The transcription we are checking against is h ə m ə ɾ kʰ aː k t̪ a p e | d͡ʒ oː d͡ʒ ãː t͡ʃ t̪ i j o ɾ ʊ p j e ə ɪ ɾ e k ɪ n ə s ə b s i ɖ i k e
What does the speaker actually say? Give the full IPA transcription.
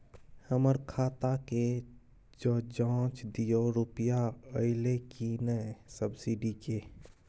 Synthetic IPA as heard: h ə m ə ɾ kʰ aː t̪ a k e | d͡ʒ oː d͡ʒ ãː t͡ʃ d̪ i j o ɾ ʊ p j a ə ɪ l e k i n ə s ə b s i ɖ i k e